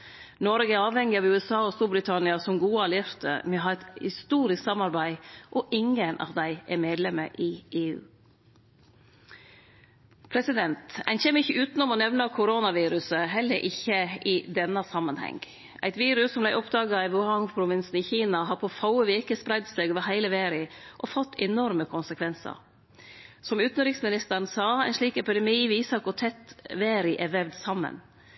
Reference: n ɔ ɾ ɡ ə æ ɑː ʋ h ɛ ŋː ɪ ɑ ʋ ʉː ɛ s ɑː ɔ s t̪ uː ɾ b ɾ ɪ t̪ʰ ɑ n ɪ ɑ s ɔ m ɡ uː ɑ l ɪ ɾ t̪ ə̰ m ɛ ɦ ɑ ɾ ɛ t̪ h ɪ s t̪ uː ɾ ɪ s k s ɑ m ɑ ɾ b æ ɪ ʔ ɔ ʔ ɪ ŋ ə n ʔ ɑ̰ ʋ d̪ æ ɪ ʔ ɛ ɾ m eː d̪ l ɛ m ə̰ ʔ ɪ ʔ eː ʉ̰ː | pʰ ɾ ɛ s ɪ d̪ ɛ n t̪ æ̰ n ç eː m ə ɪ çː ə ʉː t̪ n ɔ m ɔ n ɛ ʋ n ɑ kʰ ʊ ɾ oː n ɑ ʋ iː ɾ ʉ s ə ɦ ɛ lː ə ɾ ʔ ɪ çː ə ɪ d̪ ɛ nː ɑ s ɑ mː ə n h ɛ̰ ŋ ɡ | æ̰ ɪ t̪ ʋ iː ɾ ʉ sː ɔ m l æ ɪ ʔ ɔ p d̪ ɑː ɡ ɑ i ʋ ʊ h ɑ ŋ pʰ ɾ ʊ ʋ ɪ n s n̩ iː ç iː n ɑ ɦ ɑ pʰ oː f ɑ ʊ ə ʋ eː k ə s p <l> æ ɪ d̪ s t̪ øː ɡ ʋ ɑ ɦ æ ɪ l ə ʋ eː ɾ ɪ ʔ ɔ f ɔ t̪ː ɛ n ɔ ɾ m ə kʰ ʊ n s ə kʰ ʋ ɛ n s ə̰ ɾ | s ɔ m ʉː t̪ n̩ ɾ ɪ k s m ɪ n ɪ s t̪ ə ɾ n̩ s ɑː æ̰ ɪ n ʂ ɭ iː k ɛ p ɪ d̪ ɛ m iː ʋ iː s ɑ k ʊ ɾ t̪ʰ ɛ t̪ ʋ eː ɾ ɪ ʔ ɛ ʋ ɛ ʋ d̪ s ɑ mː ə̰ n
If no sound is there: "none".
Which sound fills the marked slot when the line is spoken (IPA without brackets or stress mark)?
ɾ